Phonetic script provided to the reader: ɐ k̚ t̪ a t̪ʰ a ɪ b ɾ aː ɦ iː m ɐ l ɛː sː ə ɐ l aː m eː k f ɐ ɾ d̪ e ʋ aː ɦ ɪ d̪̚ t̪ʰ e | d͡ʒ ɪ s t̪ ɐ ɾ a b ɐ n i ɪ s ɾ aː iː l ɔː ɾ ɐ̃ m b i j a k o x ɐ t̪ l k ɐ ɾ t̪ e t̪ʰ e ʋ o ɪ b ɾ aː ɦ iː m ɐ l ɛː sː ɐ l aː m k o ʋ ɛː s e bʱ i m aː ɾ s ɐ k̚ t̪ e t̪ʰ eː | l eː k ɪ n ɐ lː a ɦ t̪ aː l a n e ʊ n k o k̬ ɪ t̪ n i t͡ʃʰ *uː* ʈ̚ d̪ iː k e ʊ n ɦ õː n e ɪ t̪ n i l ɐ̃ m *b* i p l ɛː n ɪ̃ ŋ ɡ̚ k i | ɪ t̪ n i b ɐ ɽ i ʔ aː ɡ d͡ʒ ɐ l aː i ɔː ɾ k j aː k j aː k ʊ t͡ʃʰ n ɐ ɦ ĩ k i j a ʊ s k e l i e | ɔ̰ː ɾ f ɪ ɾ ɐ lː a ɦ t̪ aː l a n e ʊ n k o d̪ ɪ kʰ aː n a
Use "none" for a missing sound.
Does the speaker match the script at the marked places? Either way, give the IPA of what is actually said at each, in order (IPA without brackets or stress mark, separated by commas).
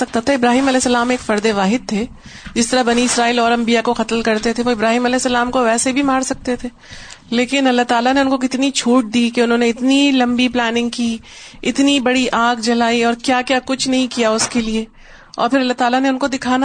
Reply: uː, b